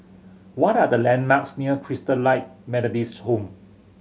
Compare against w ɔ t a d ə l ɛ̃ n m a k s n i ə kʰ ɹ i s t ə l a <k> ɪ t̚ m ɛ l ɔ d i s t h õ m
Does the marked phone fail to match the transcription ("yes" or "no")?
yes